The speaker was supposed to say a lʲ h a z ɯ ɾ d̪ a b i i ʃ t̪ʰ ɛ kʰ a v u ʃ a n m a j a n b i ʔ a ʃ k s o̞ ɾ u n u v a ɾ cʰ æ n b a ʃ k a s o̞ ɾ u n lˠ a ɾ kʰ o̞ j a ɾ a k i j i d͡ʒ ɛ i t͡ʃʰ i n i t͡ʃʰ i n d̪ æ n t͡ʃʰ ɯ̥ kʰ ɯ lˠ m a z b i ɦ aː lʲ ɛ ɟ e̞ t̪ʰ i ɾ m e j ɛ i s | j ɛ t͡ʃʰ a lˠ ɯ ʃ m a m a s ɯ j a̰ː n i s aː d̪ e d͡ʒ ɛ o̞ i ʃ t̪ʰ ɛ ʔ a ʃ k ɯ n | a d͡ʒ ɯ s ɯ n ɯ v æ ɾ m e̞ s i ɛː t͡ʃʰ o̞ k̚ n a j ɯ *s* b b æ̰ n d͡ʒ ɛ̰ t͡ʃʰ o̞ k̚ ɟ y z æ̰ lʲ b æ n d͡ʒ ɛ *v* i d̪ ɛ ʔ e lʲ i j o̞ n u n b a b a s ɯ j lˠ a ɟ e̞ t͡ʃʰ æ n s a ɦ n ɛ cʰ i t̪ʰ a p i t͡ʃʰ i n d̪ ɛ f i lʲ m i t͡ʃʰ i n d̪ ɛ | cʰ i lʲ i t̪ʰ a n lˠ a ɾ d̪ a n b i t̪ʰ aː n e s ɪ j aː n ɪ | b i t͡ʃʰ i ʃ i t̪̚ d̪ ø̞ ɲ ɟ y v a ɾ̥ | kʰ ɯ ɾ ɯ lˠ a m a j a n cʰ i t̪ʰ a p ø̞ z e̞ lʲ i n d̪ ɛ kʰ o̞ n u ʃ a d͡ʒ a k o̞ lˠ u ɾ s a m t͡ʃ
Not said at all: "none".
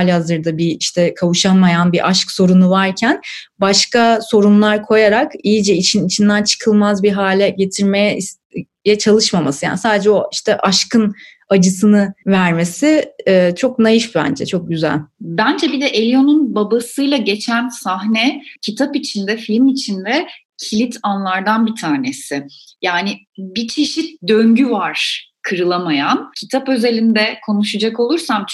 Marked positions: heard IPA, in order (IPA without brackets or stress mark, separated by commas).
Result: ʃ, b